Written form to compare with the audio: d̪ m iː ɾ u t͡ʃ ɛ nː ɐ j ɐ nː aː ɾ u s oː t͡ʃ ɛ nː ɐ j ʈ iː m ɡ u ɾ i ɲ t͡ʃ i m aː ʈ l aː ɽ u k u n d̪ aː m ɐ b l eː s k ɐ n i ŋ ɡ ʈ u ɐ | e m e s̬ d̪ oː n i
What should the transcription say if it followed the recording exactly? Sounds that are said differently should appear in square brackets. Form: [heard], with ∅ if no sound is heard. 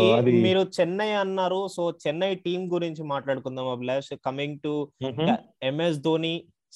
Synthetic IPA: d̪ m iː ɾ u t͡ʃ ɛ nː ɐ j ɐ nː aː ɾ u s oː t͡ʃ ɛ nː ɐ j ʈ iː m ɡ u ɾ i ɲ t͡ʃ i m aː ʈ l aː ɽ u k u n d̪ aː m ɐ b l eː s k ɐ [m] i ŋ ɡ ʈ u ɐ | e m e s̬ d̪ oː n i